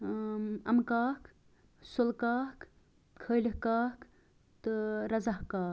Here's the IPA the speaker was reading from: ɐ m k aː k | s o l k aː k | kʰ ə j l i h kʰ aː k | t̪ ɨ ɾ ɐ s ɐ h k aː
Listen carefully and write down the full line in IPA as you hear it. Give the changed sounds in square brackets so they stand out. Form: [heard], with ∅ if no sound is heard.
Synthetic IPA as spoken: ɐ m k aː k | s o l k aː k | kʰ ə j l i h [k] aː k | t̪ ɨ ɾ ɐ [z] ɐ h k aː